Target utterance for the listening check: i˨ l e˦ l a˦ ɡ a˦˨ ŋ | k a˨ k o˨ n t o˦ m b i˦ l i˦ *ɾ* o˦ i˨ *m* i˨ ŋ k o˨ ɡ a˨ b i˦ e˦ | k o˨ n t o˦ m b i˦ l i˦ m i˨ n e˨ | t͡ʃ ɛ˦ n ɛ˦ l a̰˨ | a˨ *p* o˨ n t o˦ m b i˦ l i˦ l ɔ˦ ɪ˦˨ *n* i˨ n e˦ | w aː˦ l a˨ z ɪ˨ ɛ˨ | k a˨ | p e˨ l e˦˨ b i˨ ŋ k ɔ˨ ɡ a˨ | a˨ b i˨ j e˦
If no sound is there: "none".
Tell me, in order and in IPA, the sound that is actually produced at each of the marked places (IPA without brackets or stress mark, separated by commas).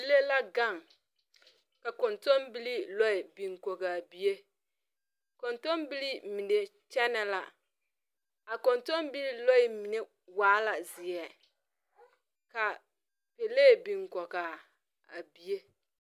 l, b, k, m